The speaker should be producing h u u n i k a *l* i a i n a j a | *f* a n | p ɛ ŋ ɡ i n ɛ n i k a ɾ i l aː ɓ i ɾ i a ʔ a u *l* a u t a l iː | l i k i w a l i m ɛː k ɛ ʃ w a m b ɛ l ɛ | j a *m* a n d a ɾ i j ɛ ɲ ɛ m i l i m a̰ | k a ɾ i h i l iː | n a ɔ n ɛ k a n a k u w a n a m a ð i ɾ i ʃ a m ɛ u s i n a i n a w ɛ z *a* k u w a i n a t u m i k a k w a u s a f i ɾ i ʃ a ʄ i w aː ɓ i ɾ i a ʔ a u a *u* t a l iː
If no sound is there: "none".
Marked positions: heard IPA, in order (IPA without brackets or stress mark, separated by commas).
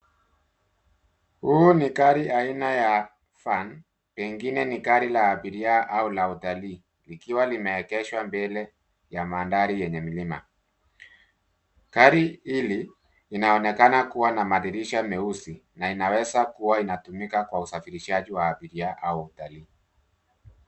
ɾ, f, l, m, a, u